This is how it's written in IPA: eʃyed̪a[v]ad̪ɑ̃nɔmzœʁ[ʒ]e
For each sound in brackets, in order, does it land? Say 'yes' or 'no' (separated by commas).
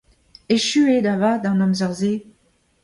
yes, no